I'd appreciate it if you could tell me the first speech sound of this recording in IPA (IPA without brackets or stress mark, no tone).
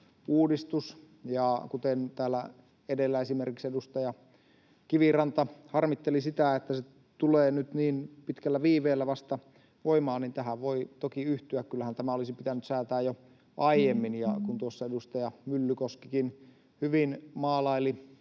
uː